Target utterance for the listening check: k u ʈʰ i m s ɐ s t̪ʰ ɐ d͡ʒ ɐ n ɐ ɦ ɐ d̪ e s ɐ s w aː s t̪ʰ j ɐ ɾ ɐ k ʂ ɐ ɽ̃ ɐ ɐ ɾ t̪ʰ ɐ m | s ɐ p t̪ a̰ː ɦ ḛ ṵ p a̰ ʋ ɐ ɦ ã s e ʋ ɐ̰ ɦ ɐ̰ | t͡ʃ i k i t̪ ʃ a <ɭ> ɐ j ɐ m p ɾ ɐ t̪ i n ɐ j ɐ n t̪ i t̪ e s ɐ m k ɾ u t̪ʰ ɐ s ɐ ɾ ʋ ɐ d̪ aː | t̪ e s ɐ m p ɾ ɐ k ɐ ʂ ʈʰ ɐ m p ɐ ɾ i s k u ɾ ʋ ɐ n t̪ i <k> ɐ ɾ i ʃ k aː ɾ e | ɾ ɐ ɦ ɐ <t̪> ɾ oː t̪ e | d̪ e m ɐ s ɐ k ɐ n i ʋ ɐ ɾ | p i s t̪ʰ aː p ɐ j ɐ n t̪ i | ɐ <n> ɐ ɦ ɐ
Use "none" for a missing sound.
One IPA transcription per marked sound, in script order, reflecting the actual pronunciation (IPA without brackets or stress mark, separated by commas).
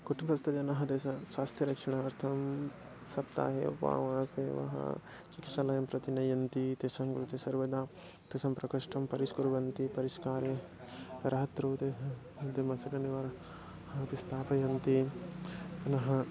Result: l, p, t̪, n